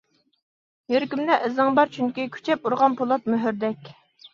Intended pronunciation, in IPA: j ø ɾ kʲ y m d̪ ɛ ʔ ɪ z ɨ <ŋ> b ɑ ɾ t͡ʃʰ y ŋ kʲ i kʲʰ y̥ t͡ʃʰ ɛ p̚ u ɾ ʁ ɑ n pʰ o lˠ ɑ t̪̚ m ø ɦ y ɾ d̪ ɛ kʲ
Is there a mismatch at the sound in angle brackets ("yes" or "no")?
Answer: no